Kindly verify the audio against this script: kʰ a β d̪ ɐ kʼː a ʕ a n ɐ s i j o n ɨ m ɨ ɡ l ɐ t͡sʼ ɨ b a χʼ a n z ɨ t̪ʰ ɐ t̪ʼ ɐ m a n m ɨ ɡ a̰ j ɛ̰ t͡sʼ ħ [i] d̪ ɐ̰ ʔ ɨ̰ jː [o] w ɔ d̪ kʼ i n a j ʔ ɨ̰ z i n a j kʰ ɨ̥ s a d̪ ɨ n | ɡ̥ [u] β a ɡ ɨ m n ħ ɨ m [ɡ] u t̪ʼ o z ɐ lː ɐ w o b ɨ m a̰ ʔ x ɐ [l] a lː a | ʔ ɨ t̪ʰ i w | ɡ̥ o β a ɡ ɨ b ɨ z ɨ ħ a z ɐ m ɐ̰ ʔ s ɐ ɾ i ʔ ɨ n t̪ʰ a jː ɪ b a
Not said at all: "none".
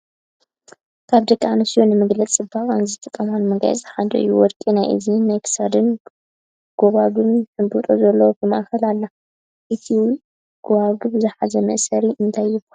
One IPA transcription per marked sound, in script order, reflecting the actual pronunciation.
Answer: a, u, o, b, l

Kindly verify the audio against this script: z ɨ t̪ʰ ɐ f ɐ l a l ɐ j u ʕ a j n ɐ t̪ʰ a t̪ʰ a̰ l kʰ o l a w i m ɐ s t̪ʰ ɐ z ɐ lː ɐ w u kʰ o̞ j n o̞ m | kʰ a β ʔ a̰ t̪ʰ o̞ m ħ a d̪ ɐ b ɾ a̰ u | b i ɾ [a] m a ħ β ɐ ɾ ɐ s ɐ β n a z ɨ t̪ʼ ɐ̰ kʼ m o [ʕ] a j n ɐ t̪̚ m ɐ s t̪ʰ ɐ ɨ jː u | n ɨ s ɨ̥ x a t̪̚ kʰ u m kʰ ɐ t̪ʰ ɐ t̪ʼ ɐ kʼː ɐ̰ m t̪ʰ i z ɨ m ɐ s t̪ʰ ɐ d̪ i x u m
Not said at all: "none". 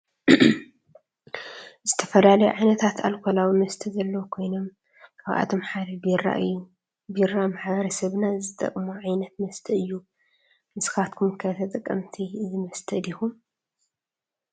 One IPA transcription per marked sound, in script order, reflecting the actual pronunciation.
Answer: a, ʕ

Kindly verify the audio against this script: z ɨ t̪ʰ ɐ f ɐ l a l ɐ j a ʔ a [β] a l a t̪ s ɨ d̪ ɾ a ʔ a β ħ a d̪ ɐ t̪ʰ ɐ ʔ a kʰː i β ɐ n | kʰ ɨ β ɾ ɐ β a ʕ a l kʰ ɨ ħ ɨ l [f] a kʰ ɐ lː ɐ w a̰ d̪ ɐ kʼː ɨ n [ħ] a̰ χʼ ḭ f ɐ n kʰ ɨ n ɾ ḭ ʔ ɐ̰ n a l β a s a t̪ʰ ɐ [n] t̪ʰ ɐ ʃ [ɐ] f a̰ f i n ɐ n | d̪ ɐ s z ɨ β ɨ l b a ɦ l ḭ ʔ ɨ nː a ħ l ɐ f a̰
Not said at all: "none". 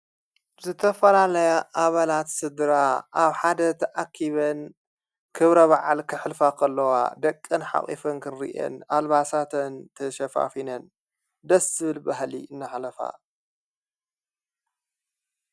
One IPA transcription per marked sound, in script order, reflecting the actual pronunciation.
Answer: β, f, ħ, n, ɐ

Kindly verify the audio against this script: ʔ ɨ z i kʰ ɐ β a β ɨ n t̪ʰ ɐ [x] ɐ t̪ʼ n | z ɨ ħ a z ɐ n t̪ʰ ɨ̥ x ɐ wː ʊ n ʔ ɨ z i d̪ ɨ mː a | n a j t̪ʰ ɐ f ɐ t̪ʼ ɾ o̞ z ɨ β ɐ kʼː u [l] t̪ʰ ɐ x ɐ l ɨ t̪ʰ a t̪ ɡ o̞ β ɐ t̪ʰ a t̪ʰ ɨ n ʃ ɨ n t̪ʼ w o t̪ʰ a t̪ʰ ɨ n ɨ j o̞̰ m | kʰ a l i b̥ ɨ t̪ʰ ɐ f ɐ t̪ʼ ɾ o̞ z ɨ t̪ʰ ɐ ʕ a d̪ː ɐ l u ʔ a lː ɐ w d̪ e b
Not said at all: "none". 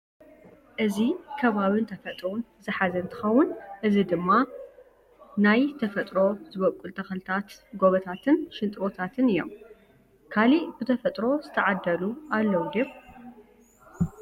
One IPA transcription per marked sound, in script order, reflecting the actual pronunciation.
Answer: f, l

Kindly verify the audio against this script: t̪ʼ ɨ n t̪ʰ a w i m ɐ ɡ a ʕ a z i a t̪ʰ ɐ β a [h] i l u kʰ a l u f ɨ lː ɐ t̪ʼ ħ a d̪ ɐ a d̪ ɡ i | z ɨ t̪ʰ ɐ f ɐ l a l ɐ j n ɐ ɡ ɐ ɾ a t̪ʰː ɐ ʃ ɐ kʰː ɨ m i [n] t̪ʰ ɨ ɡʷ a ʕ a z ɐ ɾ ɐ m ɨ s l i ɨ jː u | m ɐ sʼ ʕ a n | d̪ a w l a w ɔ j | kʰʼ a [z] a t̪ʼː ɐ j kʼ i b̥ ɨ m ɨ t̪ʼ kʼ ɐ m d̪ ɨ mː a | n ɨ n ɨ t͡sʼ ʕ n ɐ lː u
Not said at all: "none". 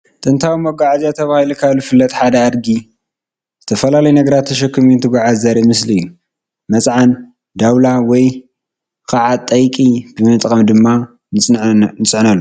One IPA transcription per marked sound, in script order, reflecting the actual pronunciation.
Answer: h, n, ʕ

